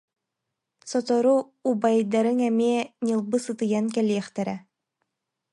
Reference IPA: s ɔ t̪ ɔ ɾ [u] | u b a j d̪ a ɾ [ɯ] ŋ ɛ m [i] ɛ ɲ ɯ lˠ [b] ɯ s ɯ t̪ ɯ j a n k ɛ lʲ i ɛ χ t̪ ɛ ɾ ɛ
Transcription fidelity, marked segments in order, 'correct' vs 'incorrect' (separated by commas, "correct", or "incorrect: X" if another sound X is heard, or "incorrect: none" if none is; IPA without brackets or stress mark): correct, correct, correct, correct